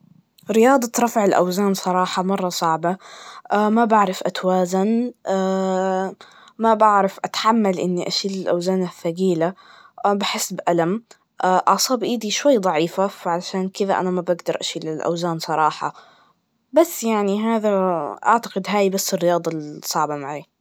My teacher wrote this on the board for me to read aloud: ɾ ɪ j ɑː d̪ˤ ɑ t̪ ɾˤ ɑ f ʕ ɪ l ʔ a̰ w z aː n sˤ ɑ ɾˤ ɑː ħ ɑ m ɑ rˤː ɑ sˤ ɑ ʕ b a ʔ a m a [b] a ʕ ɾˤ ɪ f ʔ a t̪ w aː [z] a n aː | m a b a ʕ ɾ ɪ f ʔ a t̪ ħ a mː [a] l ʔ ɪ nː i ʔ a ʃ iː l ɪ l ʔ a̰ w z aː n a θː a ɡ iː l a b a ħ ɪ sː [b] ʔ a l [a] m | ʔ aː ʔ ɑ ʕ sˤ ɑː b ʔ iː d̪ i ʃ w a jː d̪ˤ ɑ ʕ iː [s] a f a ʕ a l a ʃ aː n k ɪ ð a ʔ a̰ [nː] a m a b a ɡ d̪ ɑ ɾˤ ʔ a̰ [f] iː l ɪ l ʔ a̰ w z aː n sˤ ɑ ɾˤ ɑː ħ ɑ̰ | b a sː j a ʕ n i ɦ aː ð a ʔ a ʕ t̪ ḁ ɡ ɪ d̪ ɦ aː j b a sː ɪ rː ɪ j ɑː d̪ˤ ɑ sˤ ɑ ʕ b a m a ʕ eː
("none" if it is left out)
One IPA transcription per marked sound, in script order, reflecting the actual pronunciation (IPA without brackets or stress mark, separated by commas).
b, z, a, b, a, f, n, ʃ